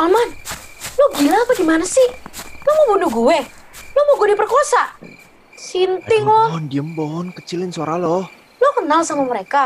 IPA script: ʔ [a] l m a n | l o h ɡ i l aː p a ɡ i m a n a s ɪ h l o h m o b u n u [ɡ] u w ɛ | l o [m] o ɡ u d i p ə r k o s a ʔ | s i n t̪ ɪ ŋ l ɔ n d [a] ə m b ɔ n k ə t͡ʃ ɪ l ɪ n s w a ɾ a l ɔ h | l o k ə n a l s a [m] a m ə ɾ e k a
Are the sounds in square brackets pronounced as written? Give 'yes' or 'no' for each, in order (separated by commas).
yes, yes, yes, no, yes